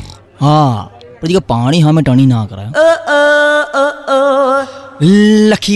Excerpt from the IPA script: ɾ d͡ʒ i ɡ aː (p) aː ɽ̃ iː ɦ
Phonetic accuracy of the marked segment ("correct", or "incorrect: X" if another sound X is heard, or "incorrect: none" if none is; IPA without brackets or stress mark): correct